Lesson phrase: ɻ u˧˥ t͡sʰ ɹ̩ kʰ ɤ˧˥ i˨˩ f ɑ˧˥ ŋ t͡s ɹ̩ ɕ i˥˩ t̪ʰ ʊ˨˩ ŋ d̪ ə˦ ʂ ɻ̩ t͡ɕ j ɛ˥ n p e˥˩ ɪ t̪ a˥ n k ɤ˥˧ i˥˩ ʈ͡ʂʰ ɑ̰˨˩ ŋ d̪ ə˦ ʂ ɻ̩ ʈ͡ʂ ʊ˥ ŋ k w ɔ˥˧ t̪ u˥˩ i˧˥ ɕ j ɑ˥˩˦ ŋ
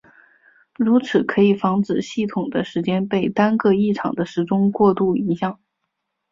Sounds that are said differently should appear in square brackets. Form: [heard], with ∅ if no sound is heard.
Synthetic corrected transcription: ɻ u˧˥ t͡sʰ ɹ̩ kʰ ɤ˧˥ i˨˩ f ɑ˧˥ ŋ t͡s ɹ̩ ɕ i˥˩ t̪ʰ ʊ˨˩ ŋ d̪ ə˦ ʂ ɻ̩ t͡ɕ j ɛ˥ n p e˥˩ ɪ t̪ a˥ n k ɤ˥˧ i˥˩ ʈ͡ʂʰ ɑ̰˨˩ ŋ d̪ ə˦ ʂ ɻ̩ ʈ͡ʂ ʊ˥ ŋ k w ɔ˥˧ t̪ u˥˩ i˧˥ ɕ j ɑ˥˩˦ ŋ